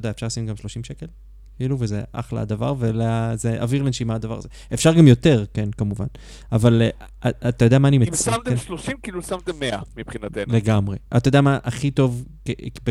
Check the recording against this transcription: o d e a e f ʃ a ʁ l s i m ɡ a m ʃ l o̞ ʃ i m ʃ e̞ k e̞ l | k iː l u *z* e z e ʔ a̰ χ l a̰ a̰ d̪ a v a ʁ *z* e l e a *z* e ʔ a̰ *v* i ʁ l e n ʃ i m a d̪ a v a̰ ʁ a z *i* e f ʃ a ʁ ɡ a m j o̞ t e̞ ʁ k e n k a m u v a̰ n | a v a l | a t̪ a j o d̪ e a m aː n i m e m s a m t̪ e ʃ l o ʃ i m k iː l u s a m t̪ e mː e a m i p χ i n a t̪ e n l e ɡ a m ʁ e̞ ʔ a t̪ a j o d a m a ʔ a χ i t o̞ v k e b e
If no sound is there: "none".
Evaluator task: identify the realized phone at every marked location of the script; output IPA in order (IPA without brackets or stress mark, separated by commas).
v, v, z, v, e